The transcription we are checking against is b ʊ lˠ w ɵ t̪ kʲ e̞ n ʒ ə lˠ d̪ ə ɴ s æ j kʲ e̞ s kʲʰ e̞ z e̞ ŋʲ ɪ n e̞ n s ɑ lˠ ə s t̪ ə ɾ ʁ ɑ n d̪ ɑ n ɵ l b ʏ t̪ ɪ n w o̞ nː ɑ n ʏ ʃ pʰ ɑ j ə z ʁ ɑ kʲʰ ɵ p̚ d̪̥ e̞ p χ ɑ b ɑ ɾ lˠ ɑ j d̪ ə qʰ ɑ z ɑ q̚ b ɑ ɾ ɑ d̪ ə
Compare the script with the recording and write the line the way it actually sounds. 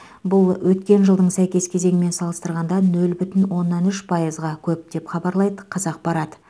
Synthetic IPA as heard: b ʊ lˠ w ɵ t̪ kʲ e̞ n ʒ ə lˠ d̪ ə ɴ s æ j kʲ e̞ s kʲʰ e̞ z e̞ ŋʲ ɪ m e̞ n s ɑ lˠ ə s t̪ ə ɾ ʁ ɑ n d̪ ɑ n ɵ l b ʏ t̪ ɪ n w o̞ nː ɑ n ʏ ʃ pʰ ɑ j ə z ʁ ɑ kʲʰ ɵ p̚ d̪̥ e̞ p χ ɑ b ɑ ɾ lˠ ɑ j d̪ ə qʰ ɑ z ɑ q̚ b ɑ ɾ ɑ d̪ ə